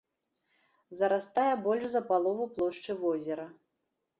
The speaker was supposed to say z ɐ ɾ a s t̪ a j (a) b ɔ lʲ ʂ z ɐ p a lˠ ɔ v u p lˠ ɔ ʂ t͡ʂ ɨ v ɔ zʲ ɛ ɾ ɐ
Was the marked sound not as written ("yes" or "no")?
yes